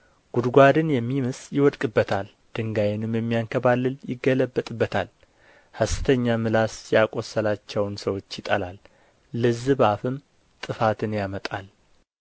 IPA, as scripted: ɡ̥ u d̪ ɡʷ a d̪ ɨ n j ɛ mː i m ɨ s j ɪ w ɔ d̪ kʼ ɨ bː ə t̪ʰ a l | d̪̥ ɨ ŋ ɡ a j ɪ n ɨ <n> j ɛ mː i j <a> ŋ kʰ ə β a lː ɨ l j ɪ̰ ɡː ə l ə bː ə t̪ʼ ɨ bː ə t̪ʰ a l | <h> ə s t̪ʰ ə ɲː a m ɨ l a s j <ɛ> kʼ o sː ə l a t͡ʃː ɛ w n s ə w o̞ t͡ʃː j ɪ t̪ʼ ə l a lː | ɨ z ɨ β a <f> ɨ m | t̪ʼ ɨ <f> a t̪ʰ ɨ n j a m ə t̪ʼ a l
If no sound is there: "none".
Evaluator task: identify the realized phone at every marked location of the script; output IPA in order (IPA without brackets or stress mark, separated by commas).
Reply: m, a, h, a, f, f